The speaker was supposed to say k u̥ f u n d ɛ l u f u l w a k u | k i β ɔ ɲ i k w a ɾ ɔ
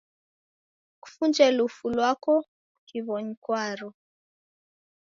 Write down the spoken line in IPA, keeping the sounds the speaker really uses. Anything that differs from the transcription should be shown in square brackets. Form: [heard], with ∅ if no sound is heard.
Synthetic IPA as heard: k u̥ f u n [d͡ʒ] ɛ l u f u l w a k [ɔ] | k i β ɔ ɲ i k w a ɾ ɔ